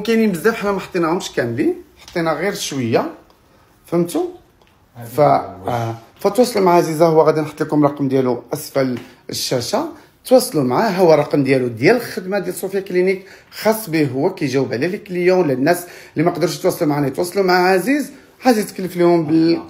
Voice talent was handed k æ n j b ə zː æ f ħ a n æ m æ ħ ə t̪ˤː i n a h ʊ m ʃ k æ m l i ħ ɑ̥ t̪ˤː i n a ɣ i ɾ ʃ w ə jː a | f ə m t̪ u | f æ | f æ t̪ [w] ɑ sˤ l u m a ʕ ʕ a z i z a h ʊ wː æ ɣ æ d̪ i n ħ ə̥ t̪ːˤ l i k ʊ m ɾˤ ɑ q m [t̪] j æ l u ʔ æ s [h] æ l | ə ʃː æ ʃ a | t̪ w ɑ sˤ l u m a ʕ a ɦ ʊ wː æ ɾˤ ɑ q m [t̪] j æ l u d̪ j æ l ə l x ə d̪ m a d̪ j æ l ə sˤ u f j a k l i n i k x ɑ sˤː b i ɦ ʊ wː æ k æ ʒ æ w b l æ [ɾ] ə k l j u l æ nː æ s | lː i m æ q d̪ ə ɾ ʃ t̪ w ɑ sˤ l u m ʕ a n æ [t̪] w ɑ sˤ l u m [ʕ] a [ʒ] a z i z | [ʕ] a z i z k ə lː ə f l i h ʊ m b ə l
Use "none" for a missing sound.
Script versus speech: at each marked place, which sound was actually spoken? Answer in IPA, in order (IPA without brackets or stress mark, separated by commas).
w, d̪, f, d̪, l, t̪, ʕ, ʕ, ʕ